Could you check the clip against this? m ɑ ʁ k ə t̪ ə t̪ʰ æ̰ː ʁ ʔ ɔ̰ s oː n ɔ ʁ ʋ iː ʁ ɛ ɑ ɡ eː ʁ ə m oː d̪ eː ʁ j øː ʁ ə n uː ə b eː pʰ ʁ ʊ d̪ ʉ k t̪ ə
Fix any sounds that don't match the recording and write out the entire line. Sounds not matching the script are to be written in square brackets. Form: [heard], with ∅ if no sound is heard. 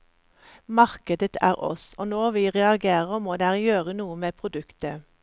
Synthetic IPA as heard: m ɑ ʁ k ə [d̪] ə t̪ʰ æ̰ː ʁ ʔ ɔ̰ s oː n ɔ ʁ ʋ iː ʁ ɛ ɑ ɡ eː ʁ ə m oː d̪ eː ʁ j øː ʁ ə n uː ə [m] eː pʰ ʁ ʊ d̪ ʉ k t̪ ə